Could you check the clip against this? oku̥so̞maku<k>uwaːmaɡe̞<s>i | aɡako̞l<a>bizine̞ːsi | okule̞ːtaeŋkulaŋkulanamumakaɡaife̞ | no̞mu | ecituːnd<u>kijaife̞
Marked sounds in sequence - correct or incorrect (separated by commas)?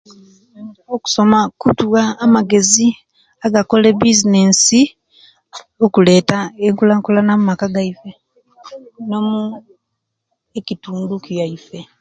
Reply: incorrect, incorrect, incorrect, correct